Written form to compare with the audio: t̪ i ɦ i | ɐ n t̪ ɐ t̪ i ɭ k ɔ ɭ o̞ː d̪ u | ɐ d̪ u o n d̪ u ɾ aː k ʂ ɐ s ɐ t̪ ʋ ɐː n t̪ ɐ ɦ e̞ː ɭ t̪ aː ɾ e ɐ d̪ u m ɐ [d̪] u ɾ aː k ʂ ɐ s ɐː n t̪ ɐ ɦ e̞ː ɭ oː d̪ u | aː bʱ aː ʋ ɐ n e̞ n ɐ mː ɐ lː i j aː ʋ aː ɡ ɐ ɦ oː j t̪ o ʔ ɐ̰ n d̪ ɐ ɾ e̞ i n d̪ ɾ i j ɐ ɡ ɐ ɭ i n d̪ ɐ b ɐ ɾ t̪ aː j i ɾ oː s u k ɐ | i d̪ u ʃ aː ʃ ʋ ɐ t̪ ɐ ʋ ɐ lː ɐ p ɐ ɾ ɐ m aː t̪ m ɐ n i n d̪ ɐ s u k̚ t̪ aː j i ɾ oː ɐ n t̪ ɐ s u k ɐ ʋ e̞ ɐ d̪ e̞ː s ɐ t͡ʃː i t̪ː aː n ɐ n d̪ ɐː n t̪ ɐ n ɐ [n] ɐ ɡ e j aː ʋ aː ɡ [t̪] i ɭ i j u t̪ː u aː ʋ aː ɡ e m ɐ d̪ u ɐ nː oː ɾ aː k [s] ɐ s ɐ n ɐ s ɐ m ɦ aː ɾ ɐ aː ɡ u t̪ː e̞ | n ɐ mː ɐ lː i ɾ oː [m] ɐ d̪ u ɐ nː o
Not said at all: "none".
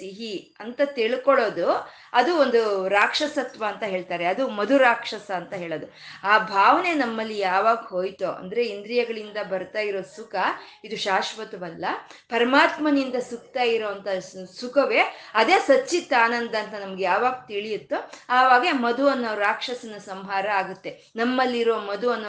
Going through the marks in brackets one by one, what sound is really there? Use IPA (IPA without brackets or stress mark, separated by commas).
d̪, m, t̪, ʂ, m